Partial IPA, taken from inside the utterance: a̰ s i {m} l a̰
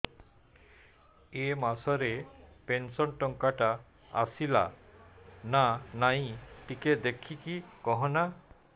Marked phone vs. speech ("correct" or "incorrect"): incorrect